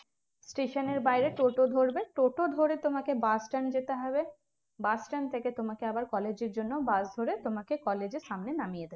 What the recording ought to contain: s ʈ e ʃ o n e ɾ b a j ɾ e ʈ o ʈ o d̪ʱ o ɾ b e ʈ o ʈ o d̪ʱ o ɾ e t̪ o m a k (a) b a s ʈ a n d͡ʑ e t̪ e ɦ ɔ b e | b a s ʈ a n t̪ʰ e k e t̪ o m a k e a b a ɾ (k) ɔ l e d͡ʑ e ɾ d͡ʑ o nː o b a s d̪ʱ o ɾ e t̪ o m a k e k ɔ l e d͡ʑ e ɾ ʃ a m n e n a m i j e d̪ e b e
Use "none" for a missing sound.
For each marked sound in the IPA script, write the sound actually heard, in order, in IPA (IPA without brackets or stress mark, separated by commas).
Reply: e, k